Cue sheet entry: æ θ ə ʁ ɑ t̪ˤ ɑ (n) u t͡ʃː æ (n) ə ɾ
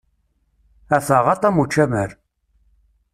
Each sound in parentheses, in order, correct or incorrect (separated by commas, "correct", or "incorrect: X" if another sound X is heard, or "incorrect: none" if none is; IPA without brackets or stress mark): incorrect: m, incorrect: m